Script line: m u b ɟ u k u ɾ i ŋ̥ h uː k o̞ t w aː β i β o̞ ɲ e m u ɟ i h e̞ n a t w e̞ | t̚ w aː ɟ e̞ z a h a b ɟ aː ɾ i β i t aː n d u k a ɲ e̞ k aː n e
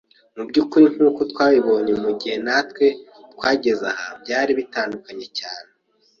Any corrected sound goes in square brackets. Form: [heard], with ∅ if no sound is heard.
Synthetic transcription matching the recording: m u b ɟ u k u ɾ i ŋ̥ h uː k o̞ t w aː β i β o̞ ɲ e m u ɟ i h e̞ n a t w e̞ | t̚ w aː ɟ e̞ z a h a b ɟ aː ɾ i β i t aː n d u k a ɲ e̞ [c] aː n e